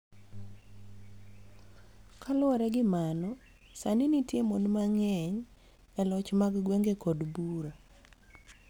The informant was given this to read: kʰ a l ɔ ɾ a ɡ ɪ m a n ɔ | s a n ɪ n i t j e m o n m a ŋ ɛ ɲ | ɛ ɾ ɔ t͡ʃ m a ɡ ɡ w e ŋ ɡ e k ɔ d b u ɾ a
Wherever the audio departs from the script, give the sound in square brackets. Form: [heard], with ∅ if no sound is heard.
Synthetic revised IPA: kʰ a l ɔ ɾ [ɛ] ɡ ɪ m a n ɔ | s a n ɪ n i t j e m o n m a ŋ ɛ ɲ | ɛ [l] ɔ t͡ʃ m a ɡ ɡ w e ŋ ɡ e k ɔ d b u ɾ a